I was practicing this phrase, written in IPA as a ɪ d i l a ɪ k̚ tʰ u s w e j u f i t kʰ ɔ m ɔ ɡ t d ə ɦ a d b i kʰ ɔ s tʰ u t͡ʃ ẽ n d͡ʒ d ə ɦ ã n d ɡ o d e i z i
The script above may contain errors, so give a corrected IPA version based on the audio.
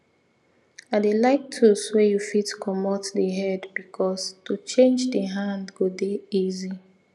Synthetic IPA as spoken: a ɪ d e l a ɪ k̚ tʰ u s w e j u f i t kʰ ɔ m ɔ t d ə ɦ ɛ d b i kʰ ɔ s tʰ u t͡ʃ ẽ n d͡ʒ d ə ɦ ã n d ɡ o d e i z i

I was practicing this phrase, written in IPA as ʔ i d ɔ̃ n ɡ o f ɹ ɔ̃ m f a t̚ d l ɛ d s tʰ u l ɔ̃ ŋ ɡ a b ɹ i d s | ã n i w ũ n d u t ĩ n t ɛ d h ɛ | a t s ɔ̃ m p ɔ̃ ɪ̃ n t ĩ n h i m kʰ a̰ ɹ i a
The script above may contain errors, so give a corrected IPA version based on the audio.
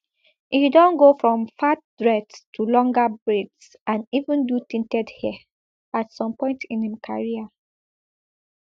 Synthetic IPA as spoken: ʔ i d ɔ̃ n ɡ o f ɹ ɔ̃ m f a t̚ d ɹ ɛ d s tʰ u l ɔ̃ ŋ ɡ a b ɹ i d s | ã n i v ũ n d u t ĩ n t ɛ d h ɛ | a t s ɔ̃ m p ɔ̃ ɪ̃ n t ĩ n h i m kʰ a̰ ɹ i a

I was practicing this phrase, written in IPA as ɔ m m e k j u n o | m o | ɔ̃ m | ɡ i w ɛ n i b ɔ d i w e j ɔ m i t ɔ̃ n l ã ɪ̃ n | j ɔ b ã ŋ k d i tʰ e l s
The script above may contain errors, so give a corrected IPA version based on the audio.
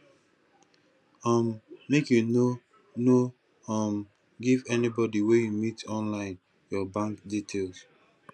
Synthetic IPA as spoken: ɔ m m e k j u n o | n o | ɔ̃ m | ɡ i v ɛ n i b ɔ d i w e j u m i t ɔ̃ n l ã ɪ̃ n | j ɔ b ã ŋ k d i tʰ e l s

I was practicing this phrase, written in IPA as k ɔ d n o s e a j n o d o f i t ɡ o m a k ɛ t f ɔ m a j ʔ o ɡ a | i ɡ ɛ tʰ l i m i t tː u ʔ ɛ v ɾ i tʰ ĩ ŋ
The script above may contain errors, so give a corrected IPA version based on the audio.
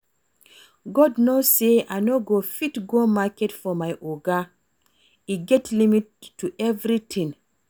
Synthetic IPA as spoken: ɡ ɔ d n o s e a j n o ɡ o f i t ɡ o m a k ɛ t f ɔ m a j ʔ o ɡ a | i ɡ ɛ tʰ l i m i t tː u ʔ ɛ v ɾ i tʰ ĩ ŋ

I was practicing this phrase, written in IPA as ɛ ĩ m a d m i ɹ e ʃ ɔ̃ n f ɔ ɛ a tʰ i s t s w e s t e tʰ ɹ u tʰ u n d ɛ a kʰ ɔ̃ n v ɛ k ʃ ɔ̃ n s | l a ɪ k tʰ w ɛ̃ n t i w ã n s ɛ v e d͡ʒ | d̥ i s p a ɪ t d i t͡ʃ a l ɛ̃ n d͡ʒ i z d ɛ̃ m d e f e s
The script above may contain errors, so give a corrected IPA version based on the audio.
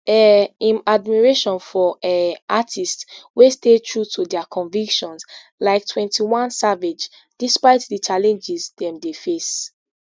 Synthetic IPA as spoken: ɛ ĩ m a d m i ɹ e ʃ ɔ̃ n f ɔ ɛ a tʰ i s t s w e s t e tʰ ɹ u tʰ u d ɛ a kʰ ɔ̃ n v i k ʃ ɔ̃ n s | l a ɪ k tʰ w ɛ̃ n t i w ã n s a v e d͡ʒ | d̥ i s p a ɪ t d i t͡ʃ a l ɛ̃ n d͡ʒ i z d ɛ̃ m d e f e s

